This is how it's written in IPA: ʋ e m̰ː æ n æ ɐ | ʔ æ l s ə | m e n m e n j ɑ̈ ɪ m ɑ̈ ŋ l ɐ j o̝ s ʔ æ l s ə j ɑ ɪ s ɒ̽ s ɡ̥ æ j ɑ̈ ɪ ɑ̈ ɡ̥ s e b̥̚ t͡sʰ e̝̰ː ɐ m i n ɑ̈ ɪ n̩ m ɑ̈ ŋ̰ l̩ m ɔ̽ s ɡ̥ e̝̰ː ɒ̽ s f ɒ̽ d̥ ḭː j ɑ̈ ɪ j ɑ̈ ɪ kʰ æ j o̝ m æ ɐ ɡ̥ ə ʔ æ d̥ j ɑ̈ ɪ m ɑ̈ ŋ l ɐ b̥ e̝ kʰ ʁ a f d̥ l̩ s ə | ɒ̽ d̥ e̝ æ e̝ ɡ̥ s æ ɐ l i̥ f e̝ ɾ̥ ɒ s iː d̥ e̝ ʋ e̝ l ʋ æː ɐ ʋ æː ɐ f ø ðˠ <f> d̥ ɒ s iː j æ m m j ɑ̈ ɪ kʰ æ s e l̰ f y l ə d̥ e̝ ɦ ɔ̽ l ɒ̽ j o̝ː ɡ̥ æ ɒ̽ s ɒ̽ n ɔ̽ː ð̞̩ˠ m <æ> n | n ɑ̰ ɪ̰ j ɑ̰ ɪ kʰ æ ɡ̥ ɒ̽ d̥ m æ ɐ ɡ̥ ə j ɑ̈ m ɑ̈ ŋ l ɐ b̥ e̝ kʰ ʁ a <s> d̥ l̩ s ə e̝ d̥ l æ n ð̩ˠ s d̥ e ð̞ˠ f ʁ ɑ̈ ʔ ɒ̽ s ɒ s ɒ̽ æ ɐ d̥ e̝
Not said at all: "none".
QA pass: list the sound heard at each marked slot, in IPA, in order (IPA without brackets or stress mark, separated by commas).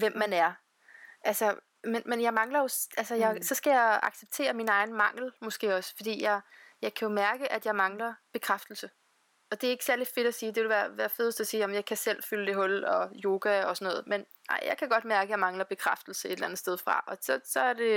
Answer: s, e, f